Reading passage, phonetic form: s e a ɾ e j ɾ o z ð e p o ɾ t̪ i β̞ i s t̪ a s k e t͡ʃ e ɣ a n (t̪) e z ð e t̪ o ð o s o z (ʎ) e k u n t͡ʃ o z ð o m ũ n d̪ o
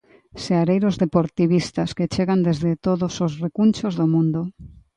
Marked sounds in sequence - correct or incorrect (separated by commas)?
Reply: incorrect, incorrect